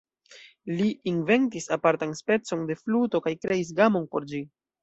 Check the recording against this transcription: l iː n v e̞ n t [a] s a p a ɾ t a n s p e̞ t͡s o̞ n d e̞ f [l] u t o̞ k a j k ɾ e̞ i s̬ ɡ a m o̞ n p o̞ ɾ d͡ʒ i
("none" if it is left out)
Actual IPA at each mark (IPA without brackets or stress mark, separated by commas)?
i, l